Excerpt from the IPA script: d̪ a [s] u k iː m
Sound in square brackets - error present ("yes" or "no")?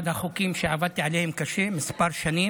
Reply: yes